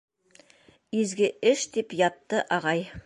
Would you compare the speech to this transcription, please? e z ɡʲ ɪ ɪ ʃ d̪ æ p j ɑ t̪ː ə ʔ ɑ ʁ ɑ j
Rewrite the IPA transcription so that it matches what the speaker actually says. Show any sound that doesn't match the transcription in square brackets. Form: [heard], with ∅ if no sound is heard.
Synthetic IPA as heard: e z ɡʲ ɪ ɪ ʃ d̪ [e] p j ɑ t̪ː ə ʔ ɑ ʁ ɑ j

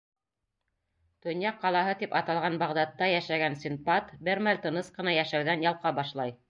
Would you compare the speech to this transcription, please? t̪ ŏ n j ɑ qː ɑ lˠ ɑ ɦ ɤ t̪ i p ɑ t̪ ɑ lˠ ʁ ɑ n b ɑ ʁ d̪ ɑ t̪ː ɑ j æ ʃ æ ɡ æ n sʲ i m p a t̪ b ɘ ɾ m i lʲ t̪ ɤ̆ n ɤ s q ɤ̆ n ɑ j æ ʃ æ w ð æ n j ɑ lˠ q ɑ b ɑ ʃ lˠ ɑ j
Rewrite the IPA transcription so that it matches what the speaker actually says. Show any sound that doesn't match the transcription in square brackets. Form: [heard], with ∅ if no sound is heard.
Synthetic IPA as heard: t̪ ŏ n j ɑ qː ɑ lˠ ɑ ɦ ɤ t̪ i p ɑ t̪ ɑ lˠ ʁ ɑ n b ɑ ʁ d̪ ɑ t̪ː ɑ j æ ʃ æ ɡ æ n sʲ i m p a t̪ b ɘ ɾ m [æ] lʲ t̪ ɤ̆ n ɤ s q ɤ̆ n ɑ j æ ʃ æ w ð æ n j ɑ lˠ q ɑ b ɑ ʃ lˠ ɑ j

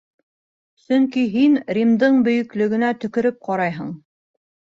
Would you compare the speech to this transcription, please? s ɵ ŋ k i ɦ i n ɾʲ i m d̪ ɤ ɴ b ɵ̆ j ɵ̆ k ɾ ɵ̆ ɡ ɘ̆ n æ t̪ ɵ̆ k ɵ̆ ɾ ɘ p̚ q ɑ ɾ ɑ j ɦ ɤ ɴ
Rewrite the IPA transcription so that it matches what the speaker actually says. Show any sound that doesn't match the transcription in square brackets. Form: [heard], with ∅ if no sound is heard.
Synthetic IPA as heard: s ɵ ŋ k i ɦ i n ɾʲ i m d̪ ɤ ɴ b ɵ̆ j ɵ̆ k [l] ɵ̆ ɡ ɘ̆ n æ t̪ ɵ̆ k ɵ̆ ɾ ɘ p̚ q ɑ ɾ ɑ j ɦ ɤ ɴ

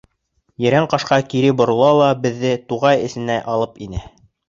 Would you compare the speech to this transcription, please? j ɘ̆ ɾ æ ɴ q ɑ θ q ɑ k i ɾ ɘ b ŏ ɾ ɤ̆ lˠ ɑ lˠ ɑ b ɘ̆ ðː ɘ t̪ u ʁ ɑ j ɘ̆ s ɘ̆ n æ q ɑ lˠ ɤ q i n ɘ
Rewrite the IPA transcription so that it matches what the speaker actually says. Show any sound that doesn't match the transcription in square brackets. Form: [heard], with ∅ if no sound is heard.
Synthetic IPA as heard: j ɘ̆ ɾ æ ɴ q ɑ [ʃ] q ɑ k i ɾ ɘ b ŏ ɾ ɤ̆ lˠ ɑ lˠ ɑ b ɘ̆ ðː ɘ t̪ u ʁ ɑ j ɘ̆ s ɘ̆ n æ [ʔ] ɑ lˠ ɤ [p] i n ɘ

